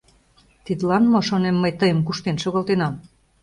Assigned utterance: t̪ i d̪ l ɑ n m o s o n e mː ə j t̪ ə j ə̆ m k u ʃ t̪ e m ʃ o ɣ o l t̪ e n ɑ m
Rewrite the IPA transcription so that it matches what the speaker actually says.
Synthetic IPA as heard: t̪ i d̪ l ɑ n m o ʃ o n e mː ə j t̪ ə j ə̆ m k u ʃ t̪ e n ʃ o ɣ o l t̪ e n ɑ m